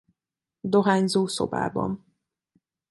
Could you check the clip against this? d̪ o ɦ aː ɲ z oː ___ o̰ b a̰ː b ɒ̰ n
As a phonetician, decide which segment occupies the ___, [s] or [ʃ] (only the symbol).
s